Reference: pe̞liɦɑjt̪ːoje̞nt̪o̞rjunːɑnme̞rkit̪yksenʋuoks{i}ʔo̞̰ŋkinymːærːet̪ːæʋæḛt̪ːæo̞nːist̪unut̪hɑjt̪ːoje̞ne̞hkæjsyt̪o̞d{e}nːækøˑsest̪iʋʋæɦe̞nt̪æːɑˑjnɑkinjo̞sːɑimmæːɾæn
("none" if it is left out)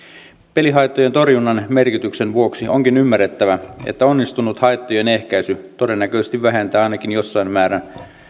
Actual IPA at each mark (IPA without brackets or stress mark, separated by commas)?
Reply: i, e